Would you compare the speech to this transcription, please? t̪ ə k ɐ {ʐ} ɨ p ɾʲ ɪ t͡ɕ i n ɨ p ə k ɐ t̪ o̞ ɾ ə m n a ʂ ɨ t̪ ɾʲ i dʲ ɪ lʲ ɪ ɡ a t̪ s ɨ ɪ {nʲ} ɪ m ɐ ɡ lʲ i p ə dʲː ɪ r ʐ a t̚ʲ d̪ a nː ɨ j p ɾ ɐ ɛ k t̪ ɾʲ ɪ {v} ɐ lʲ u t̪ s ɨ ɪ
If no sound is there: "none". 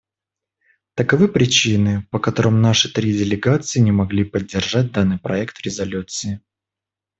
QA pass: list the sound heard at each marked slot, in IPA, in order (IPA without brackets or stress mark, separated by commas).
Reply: v, nʲ, z